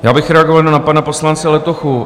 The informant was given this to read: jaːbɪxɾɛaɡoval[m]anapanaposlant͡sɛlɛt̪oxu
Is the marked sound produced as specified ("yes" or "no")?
no